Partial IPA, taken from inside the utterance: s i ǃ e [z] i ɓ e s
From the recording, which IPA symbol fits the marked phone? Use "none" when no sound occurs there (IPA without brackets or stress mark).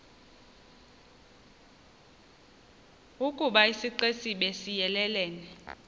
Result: s